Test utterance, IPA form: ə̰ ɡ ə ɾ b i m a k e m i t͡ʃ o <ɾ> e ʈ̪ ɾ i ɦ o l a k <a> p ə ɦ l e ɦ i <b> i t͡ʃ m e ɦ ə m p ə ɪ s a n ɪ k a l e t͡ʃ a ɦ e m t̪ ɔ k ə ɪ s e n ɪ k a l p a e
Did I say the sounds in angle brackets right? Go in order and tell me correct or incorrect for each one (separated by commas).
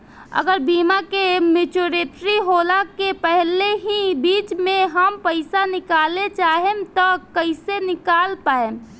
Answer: correct, incorrect, correct